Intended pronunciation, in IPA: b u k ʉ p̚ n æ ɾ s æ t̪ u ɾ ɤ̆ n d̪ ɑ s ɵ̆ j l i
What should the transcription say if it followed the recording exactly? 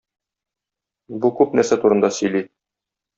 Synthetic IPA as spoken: b u k ʉ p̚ n æ ɾ s æ t̪ u ɾ ɤ̆ n d̪ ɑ s ɵ̆ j l i